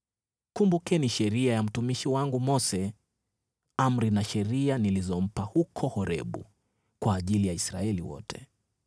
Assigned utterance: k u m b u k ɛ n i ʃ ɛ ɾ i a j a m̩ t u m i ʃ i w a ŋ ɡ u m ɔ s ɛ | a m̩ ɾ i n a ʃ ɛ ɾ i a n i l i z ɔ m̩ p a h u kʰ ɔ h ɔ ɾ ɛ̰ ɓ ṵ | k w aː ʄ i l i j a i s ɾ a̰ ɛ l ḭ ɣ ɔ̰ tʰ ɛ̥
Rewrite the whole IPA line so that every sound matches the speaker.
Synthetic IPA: k u m b u k ɛ n i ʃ ɛ ɾ i a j a m̩ t u m i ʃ i w a ŋ ɡ u m ɔ s ɛ | a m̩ ɾ i n a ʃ ɛ ɾ i a n i l i z ɔ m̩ p a h u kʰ ɔ h ɔ ɾ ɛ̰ ɓ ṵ | k w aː ʄ i l i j a i s ɾ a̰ ɛ l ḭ w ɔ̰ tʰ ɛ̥